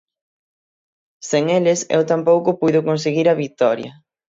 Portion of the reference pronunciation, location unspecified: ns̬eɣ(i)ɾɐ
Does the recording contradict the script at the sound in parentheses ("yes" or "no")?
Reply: no